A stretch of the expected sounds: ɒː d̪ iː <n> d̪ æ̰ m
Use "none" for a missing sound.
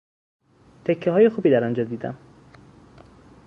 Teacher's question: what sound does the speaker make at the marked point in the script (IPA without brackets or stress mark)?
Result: none